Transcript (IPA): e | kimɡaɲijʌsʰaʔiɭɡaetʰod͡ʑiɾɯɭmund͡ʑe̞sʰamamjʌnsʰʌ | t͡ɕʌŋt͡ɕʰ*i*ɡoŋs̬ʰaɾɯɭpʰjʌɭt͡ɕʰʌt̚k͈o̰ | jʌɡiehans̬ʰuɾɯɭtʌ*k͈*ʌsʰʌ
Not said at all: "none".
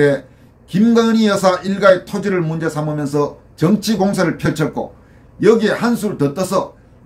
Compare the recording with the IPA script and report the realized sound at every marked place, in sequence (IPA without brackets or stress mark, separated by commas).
i, t͈